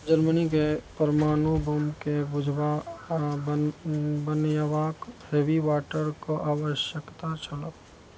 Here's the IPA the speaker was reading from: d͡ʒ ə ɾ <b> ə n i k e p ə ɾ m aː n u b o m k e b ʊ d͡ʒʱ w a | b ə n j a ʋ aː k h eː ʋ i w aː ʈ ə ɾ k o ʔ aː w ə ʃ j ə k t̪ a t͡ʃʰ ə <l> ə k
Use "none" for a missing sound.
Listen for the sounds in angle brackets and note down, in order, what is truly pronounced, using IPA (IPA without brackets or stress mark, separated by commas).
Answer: m, l